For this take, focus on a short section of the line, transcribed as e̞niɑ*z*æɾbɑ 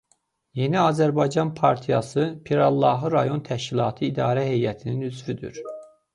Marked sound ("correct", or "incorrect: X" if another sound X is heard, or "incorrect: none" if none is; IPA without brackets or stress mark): correct